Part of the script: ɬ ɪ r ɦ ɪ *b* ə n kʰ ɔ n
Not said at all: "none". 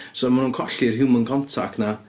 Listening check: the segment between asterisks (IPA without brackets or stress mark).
m